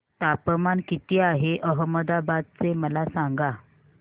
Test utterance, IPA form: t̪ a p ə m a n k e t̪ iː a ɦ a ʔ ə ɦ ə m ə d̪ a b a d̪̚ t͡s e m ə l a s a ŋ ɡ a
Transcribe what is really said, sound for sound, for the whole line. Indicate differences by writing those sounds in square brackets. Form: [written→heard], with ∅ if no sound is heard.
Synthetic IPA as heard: t̪ a p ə m a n k [e→i] t̪ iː a ɦ [a→e] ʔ ə ɦ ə m ə d̪ a b a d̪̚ t͡s e m ə l a s a ŋ ɡ a

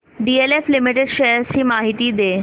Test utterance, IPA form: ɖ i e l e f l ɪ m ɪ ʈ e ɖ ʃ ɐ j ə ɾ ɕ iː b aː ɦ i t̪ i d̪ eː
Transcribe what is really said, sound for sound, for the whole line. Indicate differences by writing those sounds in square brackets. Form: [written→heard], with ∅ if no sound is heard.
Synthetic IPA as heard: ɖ i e l e f l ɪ m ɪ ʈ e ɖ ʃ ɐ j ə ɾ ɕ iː [b→m] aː ɦ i t̪ i d̪ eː

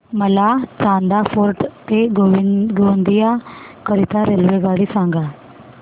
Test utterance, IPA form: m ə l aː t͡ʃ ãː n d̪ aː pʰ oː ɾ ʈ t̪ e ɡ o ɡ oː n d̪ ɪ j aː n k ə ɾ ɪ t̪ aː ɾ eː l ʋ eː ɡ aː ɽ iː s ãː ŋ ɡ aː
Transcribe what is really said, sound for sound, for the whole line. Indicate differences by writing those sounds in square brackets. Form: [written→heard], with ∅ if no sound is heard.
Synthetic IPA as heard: m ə l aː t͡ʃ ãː n d̪ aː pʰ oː ɾ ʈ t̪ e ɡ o ɡ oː n d̪ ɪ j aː [n→∅] k ə ɾ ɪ t̪ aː ɾ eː l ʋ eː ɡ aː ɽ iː s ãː ŋ ɡ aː

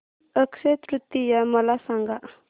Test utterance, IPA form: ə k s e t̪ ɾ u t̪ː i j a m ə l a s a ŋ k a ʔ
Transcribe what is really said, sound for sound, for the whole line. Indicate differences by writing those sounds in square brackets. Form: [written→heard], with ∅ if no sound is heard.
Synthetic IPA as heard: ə k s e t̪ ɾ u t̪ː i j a m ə l a s a ŋ [k→ɡ] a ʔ

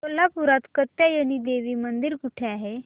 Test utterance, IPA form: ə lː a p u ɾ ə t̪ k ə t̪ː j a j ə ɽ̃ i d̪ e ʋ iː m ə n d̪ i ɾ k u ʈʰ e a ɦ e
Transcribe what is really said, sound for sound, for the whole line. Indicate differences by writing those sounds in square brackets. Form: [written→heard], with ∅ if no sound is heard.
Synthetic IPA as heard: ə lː a p u ɾ [ə→a] t̪ k ə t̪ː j a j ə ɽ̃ i d̪ e ʋ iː m ə n d̪ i ɾ k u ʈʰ e a ɦ e

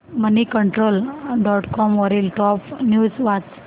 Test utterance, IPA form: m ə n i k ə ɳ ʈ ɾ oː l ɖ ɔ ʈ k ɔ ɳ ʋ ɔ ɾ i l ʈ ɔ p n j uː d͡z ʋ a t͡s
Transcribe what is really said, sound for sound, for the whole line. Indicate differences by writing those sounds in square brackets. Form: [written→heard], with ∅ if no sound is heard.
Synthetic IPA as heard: m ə n i k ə ɳ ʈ ɾ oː l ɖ ɔ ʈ k ɔ [ɳ→m] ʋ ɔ ɾ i l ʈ ɔ p n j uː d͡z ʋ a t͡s

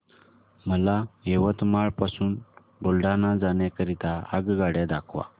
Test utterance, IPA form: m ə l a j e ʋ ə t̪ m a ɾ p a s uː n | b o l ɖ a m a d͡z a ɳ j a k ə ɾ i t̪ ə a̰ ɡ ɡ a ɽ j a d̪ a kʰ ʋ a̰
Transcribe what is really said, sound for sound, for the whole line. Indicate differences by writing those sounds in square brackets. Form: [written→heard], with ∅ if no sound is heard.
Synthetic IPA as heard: m ə l a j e ʋ ə t̪ m a [ɾ→ɭ] p a s uː n | b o l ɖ a [m→n] a d͡z a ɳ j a k ə ɾ i t̪ [ə→a] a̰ ɡ ɡ a ɽ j a d̪ a kʰ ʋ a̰

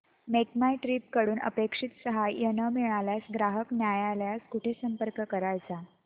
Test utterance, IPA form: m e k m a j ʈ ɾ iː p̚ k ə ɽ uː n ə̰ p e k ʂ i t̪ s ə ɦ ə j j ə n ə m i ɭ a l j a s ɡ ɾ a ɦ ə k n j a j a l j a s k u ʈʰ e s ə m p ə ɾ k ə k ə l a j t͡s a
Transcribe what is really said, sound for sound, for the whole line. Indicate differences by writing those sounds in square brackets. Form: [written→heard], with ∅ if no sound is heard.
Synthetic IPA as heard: m e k m a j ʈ ɾ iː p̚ k ə ɽ uː n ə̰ p e k ʂ i t̪ s ə ɦ [ə→a] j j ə n ə m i ɭ a l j a s ɡ ɾ a ɦ ə k n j a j a l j a s k u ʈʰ e s ə m p ə ɾ k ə k ə [l→ɾ] a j t͡s a

